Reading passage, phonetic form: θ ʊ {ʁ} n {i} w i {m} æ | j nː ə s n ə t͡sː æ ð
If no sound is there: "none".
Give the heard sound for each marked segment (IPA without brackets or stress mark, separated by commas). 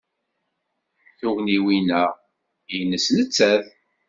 ʁ, i, n